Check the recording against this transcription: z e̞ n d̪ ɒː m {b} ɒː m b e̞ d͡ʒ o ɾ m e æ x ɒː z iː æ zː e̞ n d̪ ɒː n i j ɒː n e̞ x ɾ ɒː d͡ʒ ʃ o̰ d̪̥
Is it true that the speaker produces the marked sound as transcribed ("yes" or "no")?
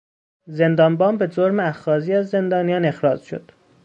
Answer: yes